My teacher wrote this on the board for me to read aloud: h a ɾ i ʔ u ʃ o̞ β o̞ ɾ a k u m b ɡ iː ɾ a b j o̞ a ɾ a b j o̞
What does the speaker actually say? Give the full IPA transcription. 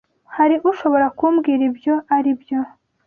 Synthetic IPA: h a ɾ i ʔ u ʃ o̞ β o̞ ɾ a k u m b ɡ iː ɾ i b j o̞ a ɾ i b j o̞